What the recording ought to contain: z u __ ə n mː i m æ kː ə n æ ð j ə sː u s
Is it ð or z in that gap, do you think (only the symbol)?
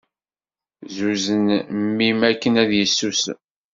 z